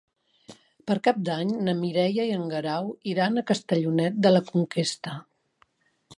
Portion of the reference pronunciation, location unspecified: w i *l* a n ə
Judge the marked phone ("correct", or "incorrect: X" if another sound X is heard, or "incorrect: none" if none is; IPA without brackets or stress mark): incorrect: ɾ